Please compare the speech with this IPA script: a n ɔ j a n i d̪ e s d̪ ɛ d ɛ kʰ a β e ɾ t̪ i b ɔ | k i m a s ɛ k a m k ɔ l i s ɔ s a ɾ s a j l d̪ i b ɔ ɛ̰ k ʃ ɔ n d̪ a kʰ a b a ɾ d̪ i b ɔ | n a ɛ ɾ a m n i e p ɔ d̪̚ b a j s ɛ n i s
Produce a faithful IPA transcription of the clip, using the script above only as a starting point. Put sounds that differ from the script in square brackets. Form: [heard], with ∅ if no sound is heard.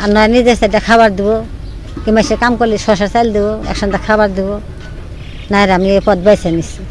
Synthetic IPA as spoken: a n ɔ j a n i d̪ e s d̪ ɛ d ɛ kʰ a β [a] ɾ [d̪] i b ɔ | k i m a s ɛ k a m k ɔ l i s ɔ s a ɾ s a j l d̪ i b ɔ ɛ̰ k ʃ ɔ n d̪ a kʰ a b a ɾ d̪ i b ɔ | n a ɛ ɾ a m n i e p ɔ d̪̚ b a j s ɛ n i s